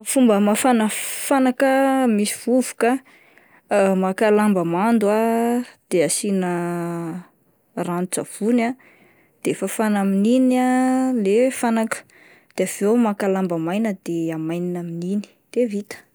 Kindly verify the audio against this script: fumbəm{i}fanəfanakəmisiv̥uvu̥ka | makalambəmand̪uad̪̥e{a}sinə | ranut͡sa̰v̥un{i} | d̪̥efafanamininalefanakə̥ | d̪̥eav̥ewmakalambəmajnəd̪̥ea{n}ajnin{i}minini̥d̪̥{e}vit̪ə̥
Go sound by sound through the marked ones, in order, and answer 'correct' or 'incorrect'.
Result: incorrect: a, correct, incorrect: a, incorrect: m, incorrect: a, correct

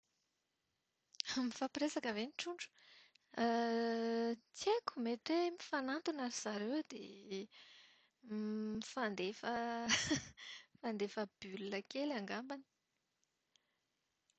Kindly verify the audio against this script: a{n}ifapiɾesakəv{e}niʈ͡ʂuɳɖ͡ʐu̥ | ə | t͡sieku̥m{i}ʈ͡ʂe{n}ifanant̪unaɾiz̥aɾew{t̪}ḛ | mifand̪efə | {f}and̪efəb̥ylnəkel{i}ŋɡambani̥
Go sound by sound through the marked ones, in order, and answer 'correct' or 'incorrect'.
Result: incorrect: m, correct, incorrect: e, incorrect: m, incorrect: d̪, correct, incorrect: a

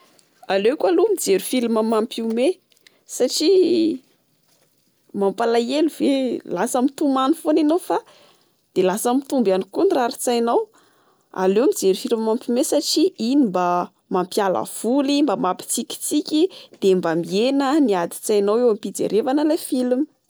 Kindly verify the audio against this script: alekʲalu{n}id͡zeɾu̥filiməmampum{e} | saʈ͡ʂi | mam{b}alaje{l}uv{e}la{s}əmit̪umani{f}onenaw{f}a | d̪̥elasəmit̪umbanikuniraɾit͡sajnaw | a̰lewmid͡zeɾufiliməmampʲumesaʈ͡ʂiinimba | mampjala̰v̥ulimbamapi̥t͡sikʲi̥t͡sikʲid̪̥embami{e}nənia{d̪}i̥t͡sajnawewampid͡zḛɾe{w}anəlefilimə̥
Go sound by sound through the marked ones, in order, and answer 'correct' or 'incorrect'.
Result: incorrect: m, correct, incorrect: p, correct, correct, correct, correct, correct, correct, correct, incorrect: v

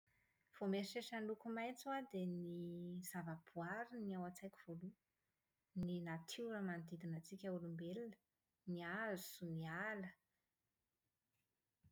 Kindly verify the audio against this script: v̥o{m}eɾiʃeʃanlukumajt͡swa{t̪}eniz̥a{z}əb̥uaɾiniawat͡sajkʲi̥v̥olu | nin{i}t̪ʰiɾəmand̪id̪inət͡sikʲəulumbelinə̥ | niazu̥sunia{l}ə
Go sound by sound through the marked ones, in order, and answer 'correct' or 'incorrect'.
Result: correct, incorrect: d̪, incorrect: v, incorrect: a, correct

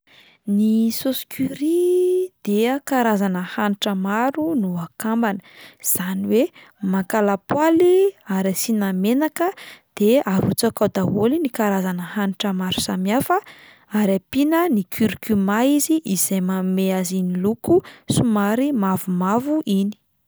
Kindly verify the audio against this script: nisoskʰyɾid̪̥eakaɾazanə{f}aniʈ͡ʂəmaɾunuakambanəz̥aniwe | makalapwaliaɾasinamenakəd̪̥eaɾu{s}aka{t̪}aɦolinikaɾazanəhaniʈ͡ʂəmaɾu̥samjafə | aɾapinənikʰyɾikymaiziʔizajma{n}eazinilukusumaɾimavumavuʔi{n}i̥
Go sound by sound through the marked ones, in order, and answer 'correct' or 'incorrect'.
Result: incorrect: h, incorrect: t͡s, incorrect: d̪, incorrect: m, correct

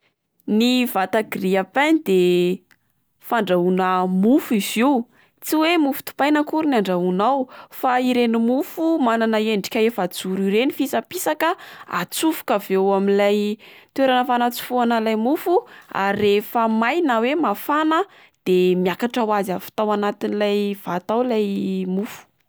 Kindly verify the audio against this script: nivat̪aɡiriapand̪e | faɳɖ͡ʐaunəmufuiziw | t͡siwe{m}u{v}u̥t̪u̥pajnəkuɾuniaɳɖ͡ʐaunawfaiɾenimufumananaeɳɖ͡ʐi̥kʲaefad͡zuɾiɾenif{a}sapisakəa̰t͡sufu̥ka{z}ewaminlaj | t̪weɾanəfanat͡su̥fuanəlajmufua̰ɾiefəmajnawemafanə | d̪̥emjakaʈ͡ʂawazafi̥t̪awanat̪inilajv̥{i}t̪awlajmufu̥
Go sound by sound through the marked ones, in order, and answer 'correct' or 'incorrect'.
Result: correct, incorrect: f, incorrect: i, incorrect: v, incorrect: a

